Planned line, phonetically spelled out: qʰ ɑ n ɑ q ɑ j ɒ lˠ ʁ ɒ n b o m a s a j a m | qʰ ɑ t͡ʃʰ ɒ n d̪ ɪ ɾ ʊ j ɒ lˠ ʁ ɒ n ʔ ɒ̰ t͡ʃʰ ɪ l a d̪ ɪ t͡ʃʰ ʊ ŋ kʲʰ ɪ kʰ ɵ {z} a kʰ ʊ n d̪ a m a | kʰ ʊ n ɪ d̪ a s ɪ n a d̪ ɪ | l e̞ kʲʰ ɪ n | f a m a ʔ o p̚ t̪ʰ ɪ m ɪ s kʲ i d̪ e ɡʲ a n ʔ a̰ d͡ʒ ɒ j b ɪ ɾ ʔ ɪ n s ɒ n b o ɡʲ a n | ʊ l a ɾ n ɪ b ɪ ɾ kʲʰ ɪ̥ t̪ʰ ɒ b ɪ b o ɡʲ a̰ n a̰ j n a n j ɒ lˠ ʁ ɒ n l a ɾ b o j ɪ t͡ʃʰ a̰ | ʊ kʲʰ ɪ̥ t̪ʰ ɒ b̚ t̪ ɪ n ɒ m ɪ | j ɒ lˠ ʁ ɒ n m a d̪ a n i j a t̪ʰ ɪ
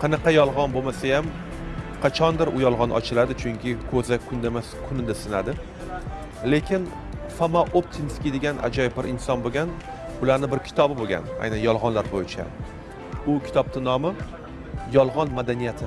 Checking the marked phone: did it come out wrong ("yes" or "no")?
no